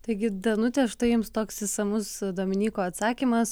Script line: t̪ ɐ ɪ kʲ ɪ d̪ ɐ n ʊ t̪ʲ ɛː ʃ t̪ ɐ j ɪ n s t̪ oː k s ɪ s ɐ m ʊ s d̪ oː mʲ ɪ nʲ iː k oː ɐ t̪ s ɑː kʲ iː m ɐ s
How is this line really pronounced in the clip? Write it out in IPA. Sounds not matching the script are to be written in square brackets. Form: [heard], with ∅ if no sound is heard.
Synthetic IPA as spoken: t̪ ɐ ɪ [ɡʲ] ɪ d̪ ɐ n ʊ t̪ʲ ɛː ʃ t̪ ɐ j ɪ [m] s t̪ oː k s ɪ s ɐ m ʊ s d̪ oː mʲ ɪ nʲ iː k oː ɐ t̪ s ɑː kʲ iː m ɐ s